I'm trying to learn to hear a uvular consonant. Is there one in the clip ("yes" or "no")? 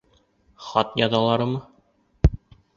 yes